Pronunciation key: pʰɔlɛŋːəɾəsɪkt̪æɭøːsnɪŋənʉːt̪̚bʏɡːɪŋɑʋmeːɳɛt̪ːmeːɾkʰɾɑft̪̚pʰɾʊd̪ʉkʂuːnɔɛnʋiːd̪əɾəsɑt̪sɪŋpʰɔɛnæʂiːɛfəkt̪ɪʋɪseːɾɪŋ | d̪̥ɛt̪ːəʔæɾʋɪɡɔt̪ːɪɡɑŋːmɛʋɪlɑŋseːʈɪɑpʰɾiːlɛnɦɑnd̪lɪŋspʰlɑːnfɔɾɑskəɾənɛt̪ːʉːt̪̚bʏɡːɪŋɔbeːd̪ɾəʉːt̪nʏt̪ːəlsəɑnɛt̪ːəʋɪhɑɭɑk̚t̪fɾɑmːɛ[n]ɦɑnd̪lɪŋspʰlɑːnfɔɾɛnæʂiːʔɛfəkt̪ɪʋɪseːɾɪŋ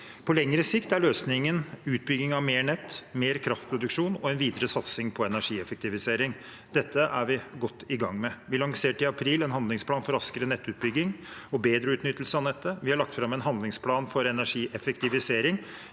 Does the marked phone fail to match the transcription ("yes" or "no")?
no